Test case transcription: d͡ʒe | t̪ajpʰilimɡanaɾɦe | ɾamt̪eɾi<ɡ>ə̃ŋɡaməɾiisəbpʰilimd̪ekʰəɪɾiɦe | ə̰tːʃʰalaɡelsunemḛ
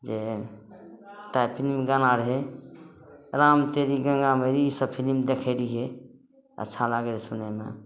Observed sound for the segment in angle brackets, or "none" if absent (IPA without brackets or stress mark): ɡ